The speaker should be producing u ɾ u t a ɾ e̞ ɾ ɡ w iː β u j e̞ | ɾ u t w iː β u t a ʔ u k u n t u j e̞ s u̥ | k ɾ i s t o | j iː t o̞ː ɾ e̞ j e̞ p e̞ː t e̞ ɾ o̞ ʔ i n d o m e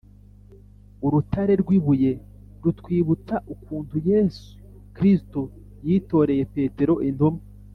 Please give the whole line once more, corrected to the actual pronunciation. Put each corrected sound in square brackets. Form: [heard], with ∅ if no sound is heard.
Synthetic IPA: u ɾ u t a ɾ e̞ ɾ ɡ w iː β u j e̞ | ɾ u t w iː β u t a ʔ u k [uː] n t u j e̞ s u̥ | k ɾ i s t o | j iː t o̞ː ɾ e̞ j e̞ p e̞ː t e̞ ɾ o̞ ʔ i n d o m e

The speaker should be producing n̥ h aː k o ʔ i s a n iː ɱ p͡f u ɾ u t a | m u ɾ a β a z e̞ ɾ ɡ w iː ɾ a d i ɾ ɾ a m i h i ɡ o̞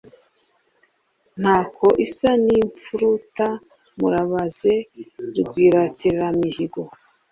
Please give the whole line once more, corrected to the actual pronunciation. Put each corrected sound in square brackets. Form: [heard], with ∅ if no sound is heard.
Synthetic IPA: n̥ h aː k o ʔ i s a n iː ɱ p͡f u ɾ u t a | m u ɾ a β a z e̞ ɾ ɡ w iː ɾ a [t] i ɾ ɾ a m i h i ɡ o̞

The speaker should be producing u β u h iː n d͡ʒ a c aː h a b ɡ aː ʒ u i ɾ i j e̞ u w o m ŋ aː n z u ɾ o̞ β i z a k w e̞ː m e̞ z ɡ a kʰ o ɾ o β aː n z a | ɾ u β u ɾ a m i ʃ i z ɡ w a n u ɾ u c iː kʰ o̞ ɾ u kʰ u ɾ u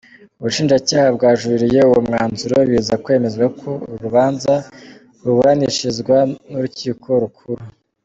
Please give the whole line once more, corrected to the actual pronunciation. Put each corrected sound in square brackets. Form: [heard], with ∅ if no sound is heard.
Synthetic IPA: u β u [ʃ] iː n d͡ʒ a c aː h a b ɡ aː ʒ u i ɾ i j e̞ u w o m ŋ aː n z u ɾ o̞ β i z a k w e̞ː m e̞ z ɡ a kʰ o ɾ [u] β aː n z a | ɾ u β u ɾ a [n] i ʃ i z ɡ w a n u ɾ u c iː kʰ o̞ ɾ u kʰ u ɾ u

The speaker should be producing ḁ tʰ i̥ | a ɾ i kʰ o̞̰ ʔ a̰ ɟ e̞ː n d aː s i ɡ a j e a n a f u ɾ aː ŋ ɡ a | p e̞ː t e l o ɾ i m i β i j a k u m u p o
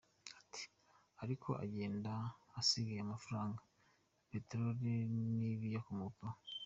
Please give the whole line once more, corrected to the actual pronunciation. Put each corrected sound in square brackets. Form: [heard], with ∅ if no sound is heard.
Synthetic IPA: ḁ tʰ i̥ | a ɾ i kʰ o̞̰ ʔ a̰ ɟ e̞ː n d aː s i ɡ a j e a [m] a f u ɾ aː ŋ ɡ a | p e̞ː t e [ɾ] o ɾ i [n] i β i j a k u m u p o

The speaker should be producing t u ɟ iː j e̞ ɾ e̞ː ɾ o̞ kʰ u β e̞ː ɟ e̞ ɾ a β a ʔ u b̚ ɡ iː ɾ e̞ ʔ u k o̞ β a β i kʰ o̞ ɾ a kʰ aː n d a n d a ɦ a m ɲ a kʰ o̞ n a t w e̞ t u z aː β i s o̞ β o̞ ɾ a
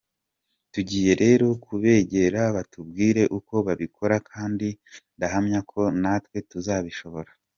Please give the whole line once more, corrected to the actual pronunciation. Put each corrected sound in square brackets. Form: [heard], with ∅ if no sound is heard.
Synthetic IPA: t u ɟ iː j e̞ ɾ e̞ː ɾ o̞ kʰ u β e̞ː ɟ e̞ ɾ a β a [t] u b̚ ɡ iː ɾ e̞ ʔ u k o̞ β a β i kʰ o̞ ɾ a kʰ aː n d [i] n d a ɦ a m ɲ a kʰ o̞ n a t w e̞ t u z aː β i [ʃ] o̞ β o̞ ɾ a

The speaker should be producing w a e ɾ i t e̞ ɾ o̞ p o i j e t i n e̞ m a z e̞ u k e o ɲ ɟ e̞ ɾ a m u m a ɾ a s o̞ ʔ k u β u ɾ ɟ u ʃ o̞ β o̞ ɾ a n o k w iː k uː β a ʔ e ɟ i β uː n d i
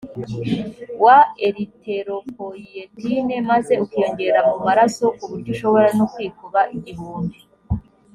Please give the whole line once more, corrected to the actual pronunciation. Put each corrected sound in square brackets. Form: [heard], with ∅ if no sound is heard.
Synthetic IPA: w a e ɾ i t e̞ ɾ o̞ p o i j e t i n e̞ m a z e̞ u k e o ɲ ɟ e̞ ɾ a m u m a ɾ a s o̞ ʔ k u β u ɾ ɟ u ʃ o̞ β o̞ ɾ a n o k w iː k [u] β a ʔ [i] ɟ i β uː n d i

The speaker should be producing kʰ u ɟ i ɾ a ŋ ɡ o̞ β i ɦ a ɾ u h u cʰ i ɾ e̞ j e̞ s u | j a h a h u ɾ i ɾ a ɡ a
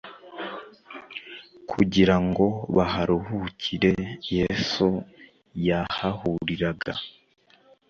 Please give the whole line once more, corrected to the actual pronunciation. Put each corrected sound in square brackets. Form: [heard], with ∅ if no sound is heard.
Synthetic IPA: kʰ u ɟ i ɾ a ŋ ɡ o̞ β [a] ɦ a ɾ u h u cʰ i ɾ e̞ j e̞ s u | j a h a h u ɾ i ɾ a ɡ a

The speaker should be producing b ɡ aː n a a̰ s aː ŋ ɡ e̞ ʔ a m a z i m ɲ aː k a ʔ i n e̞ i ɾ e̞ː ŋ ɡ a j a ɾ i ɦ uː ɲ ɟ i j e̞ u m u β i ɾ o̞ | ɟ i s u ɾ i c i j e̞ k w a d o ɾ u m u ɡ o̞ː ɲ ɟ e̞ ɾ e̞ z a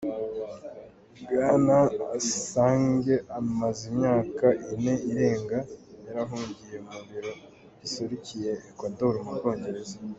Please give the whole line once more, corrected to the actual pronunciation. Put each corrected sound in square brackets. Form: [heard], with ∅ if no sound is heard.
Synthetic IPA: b ɡ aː n a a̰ s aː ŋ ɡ e̞ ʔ a m a z i m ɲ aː k a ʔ i n e̞ i ɾ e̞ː ŋ ɡ a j a ɾ [a] ɦ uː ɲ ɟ i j e̞ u m u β i ɾ o̞ | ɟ i s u ɾ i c i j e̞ k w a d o ɾ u m u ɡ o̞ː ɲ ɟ e̞ ɾ e̞ z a

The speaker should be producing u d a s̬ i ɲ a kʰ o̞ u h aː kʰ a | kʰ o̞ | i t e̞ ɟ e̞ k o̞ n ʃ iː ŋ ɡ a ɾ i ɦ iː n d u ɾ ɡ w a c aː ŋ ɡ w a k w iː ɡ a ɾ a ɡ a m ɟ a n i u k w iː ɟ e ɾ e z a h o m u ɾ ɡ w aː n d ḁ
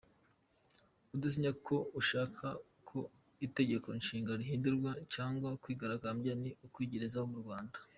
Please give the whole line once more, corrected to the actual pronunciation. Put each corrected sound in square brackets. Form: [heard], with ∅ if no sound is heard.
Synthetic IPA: u d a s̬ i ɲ a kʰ o̞ u [ʃ] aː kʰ a | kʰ o̞ | i t e̞ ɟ e̞ k o̞ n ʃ iː ŋ ɡ a ɾ i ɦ iː n d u ɾ ɡ w a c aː ŋ ɡ w a k w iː ɡ a ɾ a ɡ a m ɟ a n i u k w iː ɟ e ɾ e z a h o m u ɾ ɡ w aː n d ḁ

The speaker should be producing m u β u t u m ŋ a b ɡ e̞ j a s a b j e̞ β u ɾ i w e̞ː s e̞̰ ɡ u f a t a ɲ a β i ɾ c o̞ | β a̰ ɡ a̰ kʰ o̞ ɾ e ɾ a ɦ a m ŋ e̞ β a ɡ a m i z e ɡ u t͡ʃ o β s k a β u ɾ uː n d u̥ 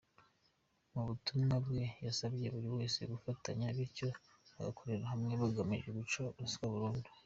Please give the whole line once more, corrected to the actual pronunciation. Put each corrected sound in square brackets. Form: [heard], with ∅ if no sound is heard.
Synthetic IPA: m u β u t u m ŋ a b ɡ e̞ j a s a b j e̞ β u ɾ i w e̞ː s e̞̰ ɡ u f a t a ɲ a β i ɾ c o̞ | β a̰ ɡ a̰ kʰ o̞ ɾ e ɾ a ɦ a m ŋ e̞ β a ɡ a m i [ʒ] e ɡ u t͡ʃ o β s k a β u ɾ uː n d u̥

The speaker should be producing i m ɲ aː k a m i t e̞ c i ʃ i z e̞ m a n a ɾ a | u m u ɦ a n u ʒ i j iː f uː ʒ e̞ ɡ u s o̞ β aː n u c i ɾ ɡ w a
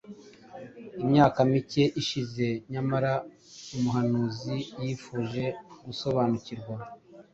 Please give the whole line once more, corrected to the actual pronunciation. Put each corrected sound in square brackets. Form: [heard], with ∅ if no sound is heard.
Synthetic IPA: i m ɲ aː k a m i [c] e̞ [ʔ] i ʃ i z e̞ [ɲ] a [m] a ɾ a | u m u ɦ a n u [z] i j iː f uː ʒ e̞ ɡ u s o̞ β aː n u c i ɾ ɡ w a

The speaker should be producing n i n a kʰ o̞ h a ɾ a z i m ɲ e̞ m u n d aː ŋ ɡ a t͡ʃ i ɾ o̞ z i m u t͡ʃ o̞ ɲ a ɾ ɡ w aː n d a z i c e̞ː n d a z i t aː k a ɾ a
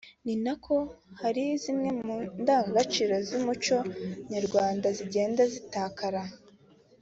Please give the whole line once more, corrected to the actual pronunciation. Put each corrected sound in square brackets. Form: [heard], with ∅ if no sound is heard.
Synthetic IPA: n i n a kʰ o̞ h a ɾ [i] z i m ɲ e̞ m u n d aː ŋ ɡ a t͡ʃ i ɾ o̞ z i m u t͡ʃ o̞ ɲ a ɾ ɡ w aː n d a z i [ɟ] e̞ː n d a z i t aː k a ɾ a

